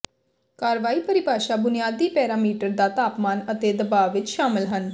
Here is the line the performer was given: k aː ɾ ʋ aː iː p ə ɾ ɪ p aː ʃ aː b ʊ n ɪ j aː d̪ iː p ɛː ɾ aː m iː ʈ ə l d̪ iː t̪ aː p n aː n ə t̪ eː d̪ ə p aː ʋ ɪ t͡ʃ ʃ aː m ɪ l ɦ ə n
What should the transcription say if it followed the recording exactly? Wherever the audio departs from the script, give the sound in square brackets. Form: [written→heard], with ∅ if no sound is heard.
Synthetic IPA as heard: k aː ɾ ʋ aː iː p ə ɾ ɪ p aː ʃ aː b ʊ n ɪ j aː d̪ iː p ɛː ɾ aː m iː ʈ ə [l→ɾ] d̪ [iː→aː] t̪ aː p [n→m] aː n ə t̪ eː d̪ ə [p→b] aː ʋ ɪ t͡ʃ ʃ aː m ɪ l ɦ ə n

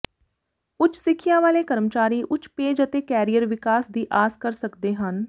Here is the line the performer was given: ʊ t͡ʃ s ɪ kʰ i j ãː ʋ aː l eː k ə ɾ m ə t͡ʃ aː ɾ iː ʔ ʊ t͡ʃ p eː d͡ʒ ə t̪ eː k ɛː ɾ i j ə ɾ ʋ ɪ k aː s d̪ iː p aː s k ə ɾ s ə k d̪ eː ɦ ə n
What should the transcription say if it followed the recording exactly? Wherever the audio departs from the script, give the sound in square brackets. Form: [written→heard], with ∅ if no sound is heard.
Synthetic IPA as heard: ʊ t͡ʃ s ɪ kʰ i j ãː ʋ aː l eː k ə ɾ m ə t͡ʃ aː ɾ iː ʔ ʊ t͡ʃ p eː d͡ʒ ə t̪ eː k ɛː ɾ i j ə ɾ ʋ ɪ k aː s d̪ iː [p→ʔ] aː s k ə ɾ s ə k d̪ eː ɦ ə n

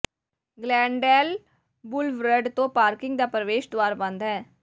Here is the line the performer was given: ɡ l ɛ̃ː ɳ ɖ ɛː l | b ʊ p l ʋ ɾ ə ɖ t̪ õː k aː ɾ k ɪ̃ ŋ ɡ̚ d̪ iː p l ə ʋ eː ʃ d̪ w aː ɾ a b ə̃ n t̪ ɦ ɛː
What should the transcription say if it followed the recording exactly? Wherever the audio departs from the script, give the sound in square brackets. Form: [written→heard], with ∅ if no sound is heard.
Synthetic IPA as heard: ɡ l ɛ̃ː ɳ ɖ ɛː l | b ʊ [p→∅] l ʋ ɾ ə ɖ t̪ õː [k→p] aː ɾ k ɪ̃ ŋ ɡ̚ d̪ [iː→aː] p [l→ɾ] ə ʋ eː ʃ d̪ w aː ɾ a b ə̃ n [t̪→d̪] ɦ ɛː

